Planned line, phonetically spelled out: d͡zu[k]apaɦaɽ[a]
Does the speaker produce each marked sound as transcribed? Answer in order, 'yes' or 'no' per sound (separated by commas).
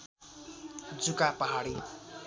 yes, no